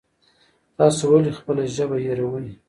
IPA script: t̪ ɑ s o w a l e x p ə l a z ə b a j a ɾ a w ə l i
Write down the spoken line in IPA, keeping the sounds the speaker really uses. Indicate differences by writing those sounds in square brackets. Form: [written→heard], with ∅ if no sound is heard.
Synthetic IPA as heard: t̪ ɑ s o w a l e x p ə l a [z→ʒ] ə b a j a ɾ a w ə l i